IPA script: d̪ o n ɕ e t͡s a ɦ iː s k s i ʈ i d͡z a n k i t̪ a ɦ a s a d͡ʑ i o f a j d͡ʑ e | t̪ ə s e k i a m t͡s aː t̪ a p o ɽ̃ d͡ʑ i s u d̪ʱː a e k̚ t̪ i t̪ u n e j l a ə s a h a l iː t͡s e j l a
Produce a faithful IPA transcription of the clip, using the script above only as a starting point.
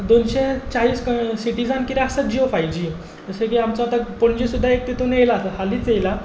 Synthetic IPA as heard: d̪ o n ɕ e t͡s a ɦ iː s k s i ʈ i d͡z a n k i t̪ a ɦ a s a d͡ʑ i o f a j d͡ʑ i | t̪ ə s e k i a m t͡s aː t̪ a p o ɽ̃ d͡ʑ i s u d̪ʱː a e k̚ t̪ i t̪ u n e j l a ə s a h a l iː t͡s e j l a